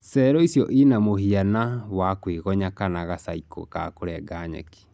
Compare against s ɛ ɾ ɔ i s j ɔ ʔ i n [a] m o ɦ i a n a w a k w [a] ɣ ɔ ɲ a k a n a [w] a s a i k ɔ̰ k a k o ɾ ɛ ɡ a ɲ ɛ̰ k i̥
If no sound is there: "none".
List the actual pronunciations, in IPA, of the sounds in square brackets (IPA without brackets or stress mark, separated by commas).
a, e, ɣ